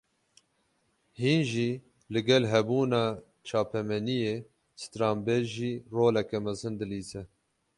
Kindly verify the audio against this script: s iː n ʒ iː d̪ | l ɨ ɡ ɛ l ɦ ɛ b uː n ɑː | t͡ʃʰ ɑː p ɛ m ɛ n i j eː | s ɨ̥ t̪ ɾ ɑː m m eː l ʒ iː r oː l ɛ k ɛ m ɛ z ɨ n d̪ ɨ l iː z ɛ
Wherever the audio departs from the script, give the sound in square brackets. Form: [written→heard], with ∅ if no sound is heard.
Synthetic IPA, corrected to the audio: [s→h] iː n ʒ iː [d̪→∅] | l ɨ ɡ ɛ l ɦ ɛ b uː n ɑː | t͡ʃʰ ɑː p ɛ m ɛ n i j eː | s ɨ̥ t̪ ɾ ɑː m [m→b] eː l ʒ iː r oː l ɛ k ɛ m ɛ z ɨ n d̪ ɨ l iː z ɛ